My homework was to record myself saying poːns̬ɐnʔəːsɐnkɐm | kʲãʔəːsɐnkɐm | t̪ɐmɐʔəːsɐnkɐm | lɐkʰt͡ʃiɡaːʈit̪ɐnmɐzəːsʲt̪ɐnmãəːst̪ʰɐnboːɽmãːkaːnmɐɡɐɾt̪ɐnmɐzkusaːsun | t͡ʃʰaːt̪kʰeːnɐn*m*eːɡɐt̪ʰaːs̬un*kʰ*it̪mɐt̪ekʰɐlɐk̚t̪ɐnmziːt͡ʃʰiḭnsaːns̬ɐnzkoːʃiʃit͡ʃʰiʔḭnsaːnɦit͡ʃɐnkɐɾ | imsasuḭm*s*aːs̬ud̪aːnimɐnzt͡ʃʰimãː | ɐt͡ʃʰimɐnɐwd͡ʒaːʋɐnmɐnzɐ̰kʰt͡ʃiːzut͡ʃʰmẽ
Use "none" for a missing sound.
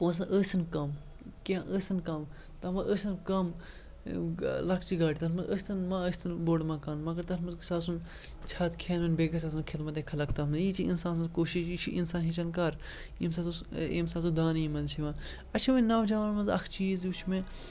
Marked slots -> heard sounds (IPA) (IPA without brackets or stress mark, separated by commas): b, kʰ, s